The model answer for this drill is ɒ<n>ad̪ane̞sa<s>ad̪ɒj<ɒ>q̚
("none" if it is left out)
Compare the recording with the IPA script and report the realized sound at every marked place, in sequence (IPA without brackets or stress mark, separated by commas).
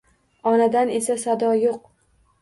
n, s, o